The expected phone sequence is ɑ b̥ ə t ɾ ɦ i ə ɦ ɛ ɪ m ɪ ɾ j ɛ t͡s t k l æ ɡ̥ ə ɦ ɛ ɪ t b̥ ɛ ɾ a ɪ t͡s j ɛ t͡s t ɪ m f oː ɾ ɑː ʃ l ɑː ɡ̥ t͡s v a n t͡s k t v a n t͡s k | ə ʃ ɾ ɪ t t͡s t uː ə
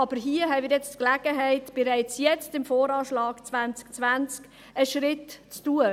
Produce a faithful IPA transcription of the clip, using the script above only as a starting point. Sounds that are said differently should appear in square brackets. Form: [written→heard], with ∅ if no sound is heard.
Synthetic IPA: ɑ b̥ ə [t→∅] ɾ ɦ i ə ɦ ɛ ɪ m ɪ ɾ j ɛ t͡s t k l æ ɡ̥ ə ɦ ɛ ɪ t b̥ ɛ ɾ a ɪ t͡s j ɛ t͡s t ɪ m f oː ɾ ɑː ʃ l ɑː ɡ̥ t͡s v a n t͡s k [t→t͡s] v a n t͡s k | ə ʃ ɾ ɪ t t͡s t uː ə